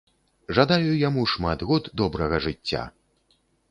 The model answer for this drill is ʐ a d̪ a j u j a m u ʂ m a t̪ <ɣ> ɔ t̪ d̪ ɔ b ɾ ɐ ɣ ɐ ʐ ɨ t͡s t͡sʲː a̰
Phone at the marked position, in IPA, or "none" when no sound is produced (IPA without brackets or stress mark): ɣ